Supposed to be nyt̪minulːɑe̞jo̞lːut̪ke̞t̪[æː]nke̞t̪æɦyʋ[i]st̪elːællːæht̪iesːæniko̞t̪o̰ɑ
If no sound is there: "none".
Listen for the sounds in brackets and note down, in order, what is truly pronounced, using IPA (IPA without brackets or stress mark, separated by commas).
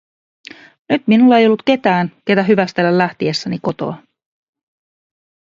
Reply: æː, æ